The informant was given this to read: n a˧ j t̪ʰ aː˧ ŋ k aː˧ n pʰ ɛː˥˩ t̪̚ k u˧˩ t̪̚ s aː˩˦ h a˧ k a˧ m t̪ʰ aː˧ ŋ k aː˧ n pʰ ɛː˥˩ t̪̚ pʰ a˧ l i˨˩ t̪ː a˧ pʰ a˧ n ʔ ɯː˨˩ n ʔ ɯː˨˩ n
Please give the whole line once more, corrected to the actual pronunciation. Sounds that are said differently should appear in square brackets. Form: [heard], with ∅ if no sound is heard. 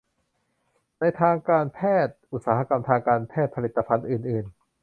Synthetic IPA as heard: n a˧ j t̪ʰ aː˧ ŋ k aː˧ n pʰ ɛː˥˩ t̪̚ [ʔ] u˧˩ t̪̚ s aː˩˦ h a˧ k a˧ m t̪ʰ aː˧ ŋ k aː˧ n pʰ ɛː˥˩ t̪̚ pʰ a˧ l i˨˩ t̪ː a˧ pʰ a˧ n ʔ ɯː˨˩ n ʔ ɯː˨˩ n